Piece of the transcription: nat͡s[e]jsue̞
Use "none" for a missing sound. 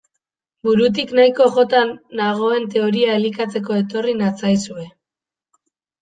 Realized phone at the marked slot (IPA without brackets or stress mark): a